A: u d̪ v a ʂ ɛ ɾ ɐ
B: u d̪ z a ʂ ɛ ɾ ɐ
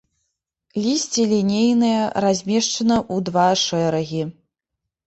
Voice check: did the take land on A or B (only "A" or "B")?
A